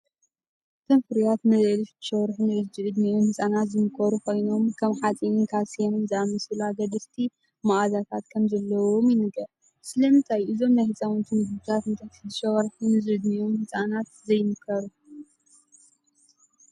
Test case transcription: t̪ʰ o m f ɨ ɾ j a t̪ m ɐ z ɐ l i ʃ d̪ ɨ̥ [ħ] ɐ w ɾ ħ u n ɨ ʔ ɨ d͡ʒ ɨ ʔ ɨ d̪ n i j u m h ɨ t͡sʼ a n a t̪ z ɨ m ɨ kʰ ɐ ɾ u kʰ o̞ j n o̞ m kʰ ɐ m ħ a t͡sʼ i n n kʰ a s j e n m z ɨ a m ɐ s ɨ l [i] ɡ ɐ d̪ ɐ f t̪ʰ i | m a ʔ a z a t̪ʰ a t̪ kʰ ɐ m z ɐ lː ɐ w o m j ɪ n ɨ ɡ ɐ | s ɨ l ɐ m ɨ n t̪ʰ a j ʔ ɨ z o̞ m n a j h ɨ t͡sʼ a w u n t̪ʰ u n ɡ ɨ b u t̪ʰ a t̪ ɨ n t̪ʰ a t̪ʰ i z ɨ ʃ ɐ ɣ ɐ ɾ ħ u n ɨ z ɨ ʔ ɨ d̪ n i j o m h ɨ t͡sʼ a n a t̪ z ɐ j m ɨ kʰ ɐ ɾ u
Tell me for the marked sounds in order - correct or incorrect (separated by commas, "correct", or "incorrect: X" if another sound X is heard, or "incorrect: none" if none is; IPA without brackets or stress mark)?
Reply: incorrect: ʃ, incorrect: a